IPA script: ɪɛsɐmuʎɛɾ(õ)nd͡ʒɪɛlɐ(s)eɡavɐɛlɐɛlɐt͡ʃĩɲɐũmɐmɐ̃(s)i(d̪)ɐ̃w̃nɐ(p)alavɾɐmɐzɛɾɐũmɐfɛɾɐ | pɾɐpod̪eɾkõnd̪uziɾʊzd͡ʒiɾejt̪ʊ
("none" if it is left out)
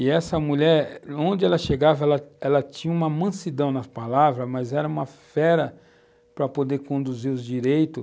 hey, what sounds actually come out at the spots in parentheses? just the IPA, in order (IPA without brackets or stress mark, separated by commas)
õ, ʃ, s, d̪, p